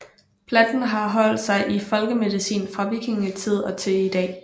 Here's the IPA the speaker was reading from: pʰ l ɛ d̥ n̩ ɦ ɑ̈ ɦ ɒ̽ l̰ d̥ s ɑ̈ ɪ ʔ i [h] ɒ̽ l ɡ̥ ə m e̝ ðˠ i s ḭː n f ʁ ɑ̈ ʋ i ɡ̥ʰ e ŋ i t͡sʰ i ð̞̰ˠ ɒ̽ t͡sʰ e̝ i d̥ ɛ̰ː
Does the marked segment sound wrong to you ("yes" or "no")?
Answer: yes